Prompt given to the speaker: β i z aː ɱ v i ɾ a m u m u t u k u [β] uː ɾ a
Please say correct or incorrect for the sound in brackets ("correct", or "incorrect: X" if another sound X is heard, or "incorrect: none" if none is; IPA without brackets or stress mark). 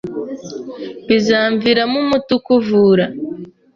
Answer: incorrect: v